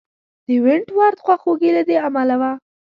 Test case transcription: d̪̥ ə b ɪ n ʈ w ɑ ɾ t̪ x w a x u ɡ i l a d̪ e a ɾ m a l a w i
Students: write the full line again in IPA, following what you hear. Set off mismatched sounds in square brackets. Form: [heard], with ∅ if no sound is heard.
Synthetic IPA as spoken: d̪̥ ə [w] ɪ [ɳ] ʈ w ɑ ɾ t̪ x w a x [o] ɡ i l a d̪ e a [∅] m a l a w [a]

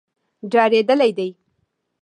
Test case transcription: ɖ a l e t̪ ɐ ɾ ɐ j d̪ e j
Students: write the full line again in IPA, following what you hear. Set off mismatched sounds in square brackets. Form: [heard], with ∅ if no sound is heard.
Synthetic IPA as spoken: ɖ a [ɾ] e [d̪] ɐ [l] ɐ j d̪ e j

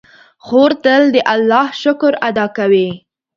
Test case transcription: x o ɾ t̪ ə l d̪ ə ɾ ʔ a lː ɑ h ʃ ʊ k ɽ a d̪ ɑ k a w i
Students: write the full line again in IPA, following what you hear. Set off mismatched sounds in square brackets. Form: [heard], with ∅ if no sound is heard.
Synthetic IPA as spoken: x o ɾ t̪ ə l d̪ ə [∅] ʔ a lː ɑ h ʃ ʊ k [ɾ] a d̪ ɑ k a w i

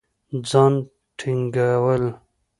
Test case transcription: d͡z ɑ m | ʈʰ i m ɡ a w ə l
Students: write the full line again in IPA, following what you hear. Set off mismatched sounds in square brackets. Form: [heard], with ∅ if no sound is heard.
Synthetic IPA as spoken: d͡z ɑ [n] | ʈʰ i [ŋ] ɡ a w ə l

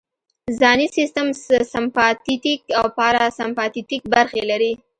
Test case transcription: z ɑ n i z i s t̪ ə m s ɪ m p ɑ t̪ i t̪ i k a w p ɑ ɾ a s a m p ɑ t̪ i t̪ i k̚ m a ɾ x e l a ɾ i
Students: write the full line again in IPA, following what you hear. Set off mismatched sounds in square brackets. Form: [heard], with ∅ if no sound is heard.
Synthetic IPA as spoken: z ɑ n i [s] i s t̪ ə m s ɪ m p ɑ t̪ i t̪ i k a w p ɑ ɾ a s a m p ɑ t̪ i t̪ i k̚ [b] a ɾ x e l a ɾ i

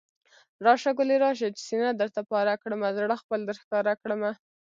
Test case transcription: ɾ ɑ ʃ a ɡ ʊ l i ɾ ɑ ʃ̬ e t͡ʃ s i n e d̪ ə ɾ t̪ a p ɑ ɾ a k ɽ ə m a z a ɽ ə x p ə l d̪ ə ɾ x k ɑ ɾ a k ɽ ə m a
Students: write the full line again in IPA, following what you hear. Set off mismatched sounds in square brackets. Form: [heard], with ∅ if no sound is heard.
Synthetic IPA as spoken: ɾ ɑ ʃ a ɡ ʊ l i ɾ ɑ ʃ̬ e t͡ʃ s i n [a] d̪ ə ɾ t̪ a p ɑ ɾ a k ɽ ə m a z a ɽ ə x p ə l d̪ ə ɾ x k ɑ ɾ a k ɽ ə m a

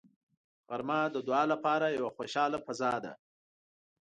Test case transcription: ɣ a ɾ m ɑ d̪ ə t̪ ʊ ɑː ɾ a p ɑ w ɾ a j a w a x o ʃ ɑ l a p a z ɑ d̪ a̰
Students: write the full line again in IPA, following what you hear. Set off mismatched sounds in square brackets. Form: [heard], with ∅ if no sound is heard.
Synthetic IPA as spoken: ɣ a ɾ m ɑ d̪ ə [d̪] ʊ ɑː [l] a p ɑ [∅] ɾ a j a w a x o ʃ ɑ l a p a z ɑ d̪ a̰

